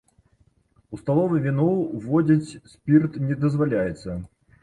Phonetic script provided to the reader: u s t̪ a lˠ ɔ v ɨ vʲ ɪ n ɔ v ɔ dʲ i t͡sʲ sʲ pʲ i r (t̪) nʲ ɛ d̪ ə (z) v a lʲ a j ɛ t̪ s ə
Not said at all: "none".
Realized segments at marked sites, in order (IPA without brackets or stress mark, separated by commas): t̪, z